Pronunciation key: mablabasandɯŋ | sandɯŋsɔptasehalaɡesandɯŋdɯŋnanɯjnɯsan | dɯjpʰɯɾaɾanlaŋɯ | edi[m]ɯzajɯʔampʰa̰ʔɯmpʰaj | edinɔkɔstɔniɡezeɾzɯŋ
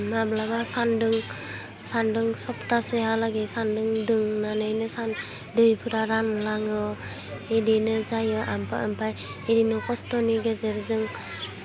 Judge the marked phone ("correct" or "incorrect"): incorrect